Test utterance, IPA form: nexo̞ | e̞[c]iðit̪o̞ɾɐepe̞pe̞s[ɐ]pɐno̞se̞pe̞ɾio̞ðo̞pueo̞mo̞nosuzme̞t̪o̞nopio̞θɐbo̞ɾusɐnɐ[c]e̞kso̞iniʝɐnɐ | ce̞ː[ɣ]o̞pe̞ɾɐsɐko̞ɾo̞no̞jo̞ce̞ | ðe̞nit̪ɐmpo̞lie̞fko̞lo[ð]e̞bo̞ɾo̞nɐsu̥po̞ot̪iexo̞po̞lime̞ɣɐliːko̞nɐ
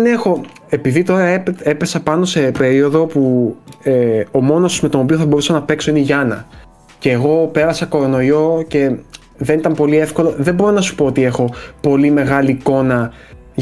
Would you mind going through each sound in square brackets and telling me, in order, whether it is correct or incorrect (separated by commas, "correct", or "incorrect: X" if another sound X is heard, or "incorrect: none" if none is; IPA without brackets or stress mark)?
incorrect: p, correct, incorrect: p, correct, correct